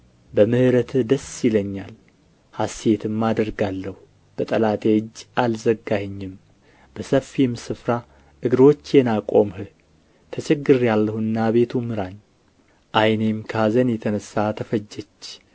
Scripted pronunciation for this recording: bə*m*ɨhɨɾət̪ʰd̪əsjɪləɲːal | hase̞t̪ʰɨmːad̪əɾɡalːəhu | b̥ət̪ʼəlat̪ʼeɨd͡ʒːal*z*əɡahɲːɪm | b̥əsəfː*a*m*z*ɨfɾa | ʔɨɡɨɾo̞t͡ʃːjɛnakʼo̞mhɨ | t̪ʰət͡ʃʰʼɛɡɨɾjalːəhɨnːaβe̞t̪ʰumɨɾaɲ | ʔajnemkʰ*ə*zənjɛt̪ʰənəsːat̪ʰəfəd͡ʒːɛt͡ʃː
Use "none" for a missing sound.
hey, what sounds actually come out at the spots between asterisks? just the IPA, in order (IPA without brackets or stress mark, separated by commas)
m, z, i, s, a